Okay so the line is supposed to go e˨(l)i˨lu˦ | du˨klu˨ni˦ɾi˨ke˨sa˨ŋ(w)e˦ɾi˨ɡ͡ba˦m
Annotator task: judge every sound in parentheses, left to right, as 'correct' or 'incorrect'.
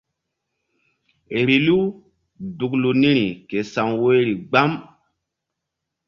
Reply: incorrect: ɾ, correct

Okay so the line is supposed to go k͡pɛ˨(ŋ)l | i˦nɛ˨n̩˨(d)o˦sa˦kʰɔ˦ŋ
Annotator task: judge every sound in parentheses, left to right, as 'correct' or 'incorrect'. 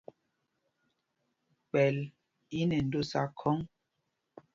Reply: incorrect: none, correct

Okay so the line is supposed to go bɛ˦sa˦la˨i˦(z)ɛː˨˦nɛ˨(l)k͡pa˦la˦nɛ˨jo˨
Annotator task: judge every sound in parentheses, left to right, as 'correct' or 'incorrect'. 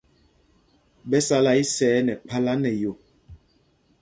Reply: incorrect: s, incorrect: none

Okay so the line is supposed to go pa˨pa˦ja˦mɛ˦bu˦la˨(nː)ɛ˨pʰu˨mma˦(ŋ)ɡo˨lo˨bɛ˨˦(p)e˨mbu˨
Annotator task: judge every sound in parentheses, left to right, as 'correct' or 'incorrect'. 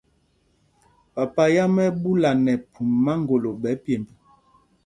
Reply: incorrect: n, correct, correct

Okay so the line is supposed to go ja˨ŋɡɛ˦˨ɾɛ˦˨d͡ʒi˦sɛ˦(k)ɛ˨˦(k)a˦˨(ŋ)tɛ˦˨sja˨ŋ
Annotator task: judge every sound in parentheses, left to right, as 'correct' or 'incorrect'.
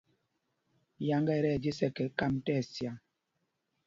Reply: correct, correct, incorrect: m

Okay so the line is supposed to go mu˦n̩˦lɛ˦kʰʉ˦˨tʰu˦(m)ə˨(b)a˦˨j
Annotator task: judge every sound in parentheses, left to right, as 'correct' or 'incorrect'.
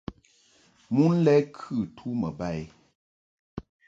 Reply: correct, correct

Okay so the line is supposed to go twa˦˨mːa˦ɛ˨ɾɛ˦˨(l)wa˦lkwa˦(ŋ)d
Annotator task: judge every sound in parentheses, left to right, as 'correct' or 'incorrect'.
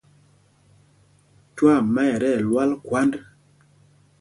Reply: correct, incorrect: n

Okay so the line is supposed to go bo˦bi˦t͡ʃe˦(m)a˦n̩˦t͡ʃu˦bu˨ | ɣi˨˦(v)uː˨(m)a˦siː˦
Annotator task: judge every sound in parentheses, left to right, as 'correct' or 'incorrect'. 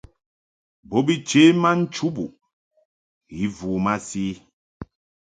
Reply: correct, correct, correct

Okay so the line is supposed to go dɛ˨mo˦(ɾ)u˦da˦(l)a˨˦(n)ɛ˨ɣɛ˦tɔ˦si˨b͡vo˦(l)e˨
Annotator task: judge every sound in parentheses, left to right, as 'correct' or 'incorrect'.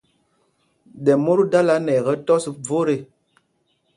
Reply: correct, correct, correct, incorrect: ɾ

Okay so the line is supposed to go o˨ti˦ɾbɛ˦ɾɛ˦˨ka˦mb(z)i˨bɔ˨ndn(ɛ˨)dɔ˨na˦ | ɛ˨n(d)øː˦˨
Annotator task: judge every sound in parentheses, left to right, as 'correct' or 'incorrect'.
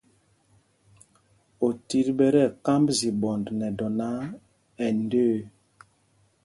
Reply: correct, correct, correct

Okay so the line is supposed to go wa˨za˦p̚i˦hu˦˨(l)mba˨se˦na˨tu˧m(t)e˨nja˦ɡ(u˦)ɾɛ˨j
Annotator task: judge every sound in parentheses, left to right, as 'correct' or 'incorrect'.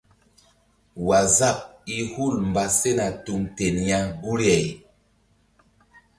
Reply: correct, correct, correct

